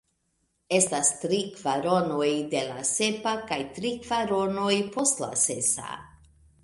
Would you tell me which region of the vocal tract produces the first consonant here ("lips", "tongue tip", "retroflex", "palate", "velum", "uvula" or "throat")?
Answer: tongue tip